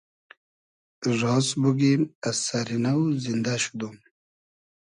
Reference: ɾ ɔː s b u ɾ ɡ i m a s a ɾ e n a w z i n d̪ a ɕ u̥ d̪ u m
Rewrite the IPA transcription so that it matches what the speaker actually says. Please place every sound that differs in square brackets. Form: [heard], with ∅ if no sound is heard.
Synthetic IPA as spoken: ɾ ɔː s b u [∅] ɡ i m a s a ɾ [i] n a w z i n d̪ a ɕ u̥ d̪ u m